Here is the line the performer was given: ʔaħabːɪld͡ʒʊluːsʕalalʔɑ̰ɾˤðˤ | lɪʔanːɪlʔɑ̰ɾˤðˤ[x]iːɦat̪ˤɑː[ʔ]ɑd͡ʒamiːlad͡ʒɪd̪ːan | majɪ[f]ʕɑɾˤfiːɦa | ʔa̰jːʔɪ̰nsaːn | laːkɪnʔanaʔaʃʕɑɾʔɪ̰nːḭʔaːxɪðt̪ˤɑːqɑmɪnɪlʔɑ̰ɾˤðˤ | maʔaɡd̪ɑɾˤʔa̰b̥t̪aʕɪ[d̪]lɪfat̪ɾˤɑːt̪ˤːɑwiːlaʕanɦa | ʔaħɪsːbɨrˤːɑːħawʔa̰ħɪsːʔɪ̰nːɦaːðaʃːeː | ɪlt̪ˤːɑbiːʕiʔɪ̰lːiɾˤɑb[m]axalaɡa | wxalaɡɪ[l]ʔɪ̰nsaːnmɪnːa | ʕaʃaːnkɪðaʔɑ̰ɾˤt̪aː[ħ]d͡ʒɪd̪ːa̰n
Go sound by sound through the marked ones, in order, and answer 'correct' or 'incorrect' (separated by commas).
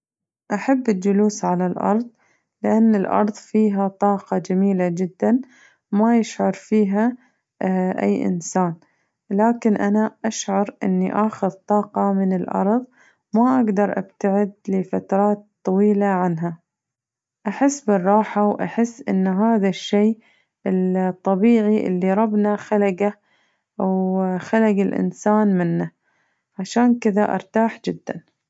incorrect, incorrect, incorrect, correct, incorrect, correct, correct